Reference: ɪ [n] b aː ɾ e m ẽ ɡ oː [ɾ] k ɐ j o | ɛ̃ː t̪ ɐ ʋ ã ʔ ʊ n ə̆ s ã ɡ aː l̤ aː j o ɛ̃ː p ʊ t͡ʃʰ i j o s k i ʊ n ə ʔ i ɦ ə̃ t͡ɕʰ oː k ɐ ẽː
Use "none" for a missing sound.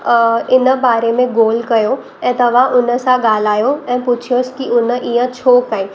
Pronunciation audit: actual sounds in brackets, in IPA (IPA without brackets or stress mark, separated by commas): n, l